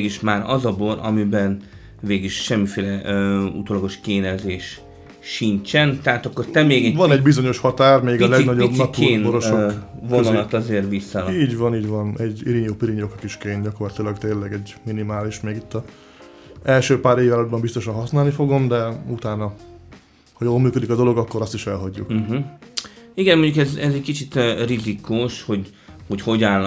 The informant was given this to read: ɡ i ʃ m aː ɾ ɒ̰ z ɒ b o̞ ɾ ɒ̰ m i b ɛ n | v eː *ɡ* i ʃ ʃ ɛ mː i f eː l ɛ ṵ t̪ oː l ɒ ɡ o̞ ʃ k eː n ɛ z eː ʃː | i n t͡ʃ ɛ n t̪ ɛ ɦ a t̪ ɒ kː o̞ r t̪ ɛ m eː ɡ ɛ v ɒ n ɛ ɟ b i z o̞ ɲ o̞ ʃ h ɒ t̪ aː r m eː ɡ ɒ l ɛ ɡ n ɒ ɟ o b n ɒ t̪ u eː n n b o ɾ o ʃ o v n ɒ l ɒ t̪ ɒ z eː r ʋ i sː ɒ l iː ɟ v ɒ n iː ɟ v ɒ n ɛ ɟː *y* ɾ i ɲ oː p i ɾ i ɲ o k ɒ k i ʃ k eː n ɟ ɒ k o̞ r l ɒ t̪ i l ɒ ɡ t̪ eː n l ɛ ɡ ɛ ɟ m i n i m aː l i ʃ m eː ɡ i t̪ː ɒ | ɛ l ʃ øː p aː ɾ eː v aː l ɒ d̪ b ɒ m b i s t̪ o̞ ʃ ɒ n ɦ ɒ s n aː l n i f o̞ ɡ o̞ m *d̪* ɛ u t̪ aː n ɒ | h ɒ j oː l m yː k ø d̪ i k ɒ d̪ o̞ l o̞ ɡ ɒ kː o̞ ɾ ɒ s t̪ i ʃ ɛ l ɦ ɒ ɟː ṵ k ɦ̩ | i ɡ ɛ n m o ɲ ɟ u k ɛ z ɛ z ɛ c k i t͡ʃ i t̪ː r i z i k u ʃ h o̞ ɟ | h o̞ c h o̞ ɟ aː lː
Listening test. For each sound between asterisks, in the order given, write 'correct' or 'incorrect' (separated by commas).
correct, incorrect, correct